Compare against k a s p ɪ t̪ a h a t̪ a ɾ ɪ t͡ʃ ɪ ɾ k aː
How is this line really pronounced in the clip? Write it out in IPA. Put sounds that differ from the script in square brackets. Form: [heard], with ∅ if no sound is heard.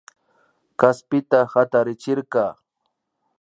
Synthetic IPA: k a s p ɪ t̪ a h a t̪ a ɾ ɪ t͡ʃ ɪ ɾ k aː